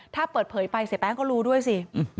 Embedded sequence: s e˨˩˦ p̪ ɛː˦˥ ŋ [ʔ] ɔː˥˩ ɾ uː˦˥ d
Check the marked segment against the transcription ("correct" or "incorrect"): incorrect